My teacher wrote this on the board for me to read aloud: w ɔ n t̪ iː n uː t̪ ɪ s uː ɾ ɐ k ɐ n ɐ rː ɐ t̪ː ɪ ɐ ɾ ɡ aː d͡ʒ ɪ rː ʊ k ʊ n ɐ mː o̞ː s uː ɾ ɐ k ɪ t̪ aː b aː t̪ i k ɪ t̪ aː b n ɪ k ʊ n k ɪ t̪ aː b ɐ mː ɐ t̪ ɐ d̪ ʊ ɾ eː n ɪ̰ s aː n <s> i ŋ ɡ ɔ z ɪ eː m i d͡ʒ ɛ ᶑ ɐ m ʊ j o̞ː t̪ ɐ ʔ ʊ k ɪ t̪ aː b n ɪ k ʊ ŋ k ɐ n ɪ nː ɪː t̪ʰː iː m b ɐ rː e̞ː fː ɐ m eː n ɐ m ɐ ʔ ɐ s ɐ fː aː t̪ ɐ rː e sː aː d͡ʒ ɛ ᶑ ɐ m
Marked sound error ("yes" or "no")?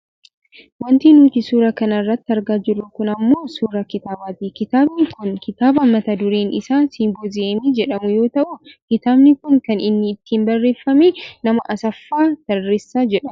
no